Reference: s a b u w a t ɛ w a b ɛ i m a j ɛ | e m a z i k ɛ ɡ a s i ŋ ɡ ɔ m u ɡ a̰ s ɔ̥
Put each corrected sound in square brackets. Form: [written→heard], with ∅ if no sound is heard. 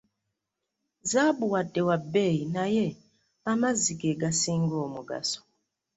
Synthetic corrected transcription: [s→z] a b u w a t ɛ w a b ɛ i [m→n] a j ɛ | [e→a] m a z i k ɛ ɡ a s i ŋ ɡ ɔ m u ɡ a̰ s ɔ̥